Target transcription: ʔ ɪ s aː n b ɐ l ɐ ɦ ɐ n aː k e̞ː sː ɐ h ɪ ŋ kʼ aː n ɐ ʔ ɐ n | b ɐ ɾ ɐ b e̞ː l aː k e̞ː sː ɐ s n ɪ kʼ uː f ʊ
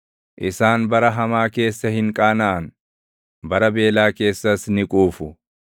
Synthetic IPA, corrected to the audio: ʔ ɪ s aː n b ɐ ɾ ɐ ɦ ɐ m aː k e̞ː sː ɐ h ɪ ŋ kʼ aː n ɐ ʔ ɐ n | b ɐ ɾ ɐ b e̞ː l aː k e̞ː sː ɐ s n ɪ kʼ uː f ʊ

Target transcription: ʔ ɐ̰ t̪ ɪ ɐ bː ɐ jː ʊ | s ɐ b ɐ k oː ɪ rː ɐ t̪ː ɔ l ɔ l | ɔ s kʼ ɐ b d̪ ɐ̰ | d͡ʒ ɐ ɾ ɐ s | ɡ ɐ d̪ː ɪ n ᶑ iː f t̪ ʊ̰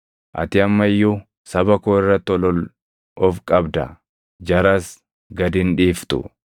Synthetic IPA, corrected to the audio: ʔ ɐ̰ t̪ ɪ ɐ mː ɐ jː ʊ | s ɐ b ɐ k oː ɪ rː ɐ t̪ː ɔ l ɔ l | ɔ f kʼ ɐ b d̪ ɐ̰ | d͡ʒ ɐ ɾ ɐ s | ɡ ɐ d̪ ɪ n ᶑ iː f t̪ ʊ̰

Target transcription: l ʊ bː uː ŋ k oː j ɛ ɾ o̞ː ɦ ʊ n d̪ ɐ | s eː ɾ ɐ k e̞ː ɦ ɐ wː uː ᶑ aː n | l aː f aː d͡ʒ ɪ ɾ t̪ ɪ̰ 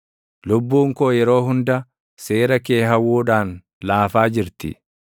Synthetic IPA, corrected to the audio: l ʊ bː uː ŋ k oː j ɛ ɾ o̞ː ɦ ʊ n d̪ ɐ | s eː ɾ ɐ k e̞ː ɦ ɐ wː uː ᶑ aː n | l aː f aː d͡ʒ ɪ ɾ t̪ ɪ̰

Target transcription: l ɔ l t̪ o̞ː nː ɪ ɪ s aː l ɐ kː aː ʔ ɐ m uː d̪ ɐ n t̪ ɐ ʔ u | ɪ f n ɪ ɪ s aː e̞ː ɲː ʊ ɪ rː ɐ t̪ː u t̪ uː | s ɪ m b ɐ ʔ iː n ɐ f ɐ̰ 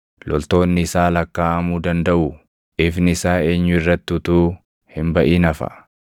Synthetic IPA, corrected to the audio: l ɔ l t̪ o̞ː nː ɪ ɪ s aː l ɐ kː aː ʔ ɐ m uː d̪ ɐ n d̪ ɐ ʔ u | ɪ f n ɪ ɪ s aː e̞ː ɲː ʊ ɪ rː ɐ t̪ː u t̪ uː | h ɪ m b ɐ ʔ iː n ɐ f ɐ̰

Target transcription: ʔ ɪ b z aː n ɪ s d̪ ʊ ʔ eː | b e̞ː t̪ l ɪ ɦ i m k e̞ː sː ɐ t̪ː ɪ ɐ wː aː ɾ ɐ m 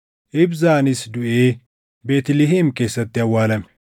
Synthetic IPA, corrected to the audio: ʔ ɪ b z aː n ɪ s d̪ ʊ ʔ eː | b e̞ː t̪ l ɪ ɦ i m k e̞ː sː ɐ t̪ː ɪ ɐ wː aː l ɐ m

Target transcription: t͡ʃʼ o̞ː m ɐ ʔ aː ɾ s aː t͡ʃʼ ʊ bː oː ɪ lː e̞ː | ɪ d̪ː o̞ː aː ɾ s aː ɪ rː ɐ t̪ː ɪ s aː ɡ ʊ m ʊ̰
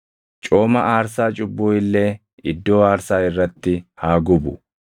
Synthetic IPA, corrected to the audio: t͡ʃʼ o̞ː m ɐ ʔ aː ɾ s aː t͡ʃʼ ʊ bː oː ɪ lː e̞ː | ɪ d̪ː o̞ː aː ɾ s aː ɪ rː ɐ t̪ː ɪ h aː ɡ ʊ b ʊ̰

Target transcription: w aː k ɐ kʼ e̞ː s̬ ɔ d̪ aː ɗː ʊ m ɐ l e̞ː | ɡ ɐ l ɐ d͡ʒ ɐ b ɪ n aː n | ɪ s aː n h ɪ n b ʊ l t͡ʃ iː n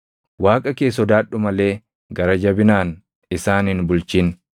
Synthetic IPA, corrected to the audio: w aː kʼ ɐ k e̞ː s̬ ɔ d̪ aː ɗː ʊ m ɐ l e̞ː | ɡ ɐ ɾ ɐ d͡ʒ ɐ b ɪ n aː n | ɪ s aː n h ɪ n b ʊ l t͡ʃ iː n

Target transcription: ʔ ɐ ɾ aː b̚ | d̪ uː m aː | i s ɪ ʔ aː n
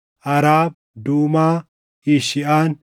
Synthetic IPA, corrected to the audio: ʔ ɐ ɾ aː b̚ | d̪ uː m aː | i ʃ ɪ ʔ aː n

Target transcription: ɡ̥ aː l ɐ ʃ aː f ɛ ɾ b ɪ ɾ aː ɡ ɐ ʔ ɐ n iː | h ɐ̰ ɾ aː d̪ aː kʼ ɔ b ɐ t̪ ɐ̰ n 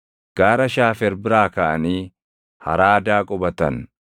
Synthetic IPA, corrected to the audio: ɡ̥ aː ɾ ɐ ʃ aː f ɛ ɾ b ɪ ɾ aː k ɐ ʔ ɐ n iː | h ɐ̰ ɾ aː d̪ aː kʼ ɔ b ɐ t̪ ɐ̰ n

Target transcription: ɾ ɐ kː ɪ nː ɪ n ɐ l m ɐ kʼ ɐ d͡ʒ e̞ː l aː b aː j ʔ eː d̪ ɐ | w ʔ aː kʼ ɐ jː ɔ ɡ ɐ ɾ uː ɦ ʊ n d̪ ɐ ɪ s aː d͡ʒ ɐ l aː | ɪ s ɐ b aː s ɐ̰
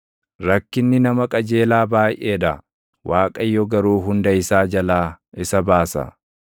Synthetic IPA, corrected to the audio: ɾ ɐ kː ɪ nː ɪ n ɐ m ɐ kʼ ɐ d͡ʒ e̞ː l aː b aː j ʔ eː d̪ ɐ | w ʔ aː kʼ ɐ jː ɔ ɡ ɐ ɾ uː ɦ ʊ n d̪ ɐ ɪ s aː d͡ʒ ɐ l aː | ɪ s ɐ b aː s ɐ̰

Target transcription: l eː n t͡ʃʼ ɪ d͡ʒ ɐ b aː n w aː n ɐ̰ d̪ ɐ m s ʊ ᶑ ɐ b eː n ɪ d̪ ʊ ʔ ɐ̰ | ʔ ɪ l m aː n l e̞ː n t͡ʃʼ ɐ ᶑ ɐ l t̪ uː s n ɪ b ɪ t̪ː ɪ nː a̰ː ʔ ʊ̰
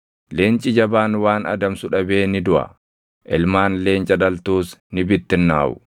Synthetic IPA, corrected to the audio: l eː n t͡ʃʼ ɪ d͡ʒ ɐ b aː n w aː n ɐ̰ d̪ ɐ m s ʊ ᶑ ɐ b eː n ɪ d̪ ʊ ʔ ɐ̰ | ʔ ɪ l m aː n l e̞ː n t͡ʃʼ ɐ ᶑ ɐ l t̪ uː s n ɪ b ɪ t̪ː ɪ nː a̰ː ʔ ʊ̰

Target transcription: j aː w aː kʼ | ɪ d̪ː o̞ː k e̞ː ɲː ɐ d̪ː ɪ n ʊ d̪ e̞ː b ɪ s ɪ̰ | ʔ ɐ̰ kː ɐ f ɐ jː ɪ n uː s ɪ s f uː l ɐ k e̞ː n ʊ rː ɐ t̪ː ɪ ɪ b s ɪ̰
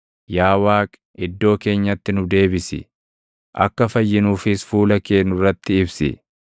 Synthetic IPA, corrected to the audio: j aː w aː kʼ | ɪ d̪ː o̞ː k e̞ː ɲː ɐ t̪ː ɪ n ʊ d̪ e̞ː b ɪ s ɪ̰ | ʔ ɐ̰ kː ɐ f ɐ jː ɪ n uː f ɪ s f uː l ɐ k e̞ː n ʊ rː ɐ t̪ː ɪ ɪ b s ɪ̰

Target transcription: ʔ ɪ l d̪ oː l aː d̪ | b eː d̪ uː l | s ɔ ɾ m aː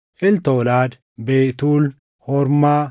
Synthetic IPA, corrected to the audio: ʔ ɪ l t̪ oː l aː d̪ | b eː t̪ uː l | h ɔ ɾ m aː

